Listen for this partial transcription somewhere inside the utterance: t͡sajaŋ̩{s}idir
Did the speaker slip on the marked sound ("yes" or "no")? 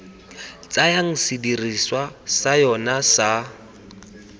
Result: no